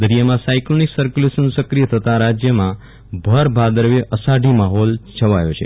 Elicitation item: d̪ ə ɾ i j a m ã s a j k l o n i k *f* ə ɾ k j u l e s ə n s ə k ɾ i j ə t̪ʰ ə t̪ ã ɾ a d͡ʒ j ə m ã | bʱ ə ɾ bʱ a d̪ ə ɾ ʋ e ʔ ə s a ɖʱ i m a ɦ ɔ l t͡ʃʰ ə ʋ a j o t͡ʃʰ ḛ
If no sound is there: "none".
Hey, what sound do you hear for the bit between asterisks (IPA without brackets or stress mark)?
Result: s